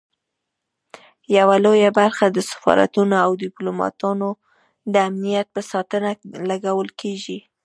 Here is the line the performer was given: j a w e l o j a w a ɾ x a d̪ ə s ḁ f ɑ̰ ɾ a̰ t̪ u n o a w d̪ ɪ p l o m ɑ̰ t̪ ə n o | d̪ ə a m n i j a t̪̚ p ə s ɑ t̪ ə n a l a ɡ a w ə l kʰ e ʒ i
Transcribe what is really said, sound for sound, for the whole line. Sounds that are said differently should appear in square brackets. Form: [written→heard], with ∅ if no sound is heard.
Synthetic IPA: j a w [e→a] l o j a [w→b] a ɾ x a d̪ ə s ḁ f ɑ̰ ɾ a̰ t̪ u n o a w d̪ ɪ p l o m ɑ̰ t̪ [ə→ɑ] n o | d̪ ə a m n i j a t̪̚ p ə s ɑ t̪ ə n a l a ɡ a w ə l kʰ e ʒ i